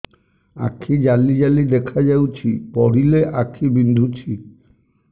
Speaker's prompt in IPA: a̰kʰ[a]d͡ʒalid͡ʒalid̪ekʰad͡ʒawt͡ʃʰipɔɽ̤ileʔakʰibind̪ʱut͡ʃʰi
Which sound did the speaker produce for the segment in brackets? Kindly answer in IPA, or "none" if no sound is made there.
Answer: i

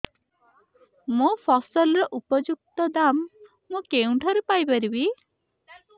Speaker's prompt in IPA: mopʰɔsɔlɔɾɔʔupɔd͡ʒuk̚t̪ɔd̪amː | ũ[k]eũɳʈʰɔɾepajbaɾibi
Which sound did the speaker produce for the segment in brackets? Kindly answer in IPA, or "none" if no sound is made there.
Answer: k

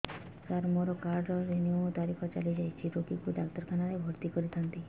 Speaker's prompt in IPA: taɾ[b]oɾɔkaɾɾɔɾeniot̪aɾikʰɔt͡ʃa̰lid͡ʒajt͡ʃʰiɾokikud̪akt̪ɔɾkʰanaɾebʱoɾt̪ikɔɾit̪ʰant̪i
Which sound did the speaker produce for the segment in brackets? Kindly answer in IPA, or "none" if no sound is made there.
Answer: m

